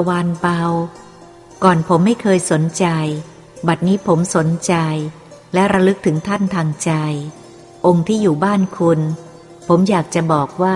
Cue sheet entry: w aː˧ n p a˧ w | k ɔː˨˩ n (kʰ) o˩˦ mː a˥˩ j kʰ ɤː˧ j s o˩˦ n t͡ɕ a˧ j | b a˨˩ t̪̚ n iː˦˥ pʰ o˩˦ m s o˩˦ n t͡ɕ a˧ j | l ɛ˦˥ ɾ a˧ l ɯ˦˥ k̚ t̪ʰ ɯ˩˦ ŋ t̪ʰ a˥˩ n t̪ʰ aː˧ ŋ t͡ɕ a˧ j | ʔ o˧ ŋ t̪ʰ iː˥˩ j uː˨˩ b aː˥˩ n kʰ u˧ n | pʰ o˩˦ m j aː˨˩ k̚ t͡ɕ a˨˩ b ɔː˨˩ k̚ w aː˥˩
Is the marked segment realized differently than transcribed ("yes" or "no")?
yes